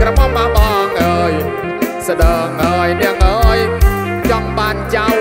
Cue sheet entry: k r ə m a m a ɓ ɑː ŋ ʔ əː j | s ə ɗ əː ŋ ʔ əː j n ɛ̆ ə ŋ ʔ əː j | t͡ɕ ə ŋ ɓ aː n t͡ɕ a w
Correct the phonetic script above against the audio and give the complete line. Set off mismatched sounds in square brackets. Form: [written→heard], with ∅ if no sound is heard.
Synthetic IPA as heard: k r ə m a m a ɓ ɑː ŋ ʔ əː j | s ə ɗ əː ŋ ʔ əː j n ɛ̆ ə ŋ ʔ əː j | t͡ɕ [ə→ɑ] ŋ ɓ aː n t͡ɕ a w